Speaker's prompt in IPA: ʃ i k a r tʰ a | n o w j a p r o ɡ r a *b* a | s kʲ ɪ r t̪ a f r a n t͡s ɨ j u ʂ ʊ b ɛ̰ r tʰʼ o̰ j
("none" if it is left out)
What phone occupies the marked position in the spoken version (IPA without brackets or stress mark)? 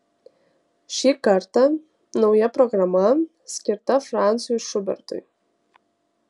m